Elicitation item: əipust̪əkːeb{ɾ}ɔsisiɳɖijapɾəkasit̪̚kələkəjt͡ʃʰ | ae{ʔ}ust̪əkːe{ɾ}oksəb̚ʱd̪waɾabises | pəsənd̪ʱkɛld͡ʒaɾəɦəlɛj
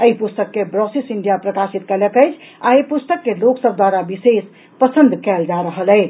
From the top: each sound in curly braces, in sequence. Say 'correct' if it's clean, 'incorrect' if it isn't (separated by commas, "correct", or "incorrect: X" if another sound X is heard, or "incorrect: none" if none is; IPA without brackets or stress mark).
correct, incorrect: p, incorrect: l